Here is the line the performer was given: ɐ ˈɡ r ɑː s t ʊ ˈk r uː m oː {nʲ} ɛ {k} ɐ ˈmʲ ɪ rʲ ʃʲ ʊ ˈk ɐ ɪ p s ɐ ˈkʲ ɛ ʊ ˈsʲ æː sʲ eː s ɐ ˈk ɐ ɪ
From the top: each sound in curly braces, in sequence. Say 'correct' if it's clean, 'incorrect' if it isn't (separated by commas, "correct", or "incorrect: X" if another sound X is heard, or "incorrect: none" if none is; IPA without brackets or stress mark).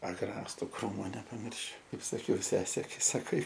correct, incorrect: p